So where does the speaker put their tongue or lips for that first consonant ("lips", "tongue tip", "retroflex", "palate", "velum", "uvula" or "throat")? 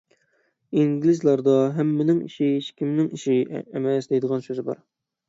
velum